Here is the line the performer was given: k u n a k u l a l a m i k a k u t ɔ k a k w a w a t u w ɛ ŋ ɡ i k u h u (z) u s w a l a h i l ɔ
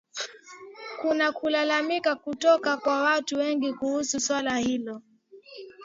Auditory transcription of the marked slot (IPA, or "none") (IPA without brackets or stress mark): s